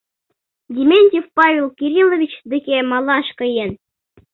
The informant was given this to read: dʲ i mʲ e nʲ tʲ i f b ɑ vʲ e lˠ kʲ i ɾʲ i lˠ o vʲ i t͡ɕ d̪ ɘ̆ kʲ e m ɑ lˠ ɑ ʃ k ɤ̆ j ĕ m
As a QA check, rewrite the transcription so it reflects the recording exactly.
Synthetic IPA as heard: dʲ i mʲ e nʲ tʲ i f p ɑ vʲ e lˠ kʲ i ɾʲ i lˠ o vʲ i t͡ɕ d̪ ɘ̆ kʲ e m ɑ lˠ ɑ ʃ k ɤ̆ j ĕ n